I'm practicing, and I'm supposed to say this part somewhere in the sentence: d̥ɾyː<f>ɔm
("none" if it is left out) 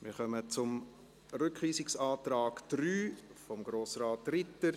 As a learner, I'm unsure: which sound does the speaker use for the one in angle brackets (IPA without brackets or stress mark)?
f